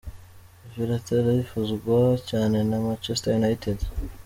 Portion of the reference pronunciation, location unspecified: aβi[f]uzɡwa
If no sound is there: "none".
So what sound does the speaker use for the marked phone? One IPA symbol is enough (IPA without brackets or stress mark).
f